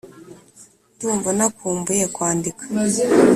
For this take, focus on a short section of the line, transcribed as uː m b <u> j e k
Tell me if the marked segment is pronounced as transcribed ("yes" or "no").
yes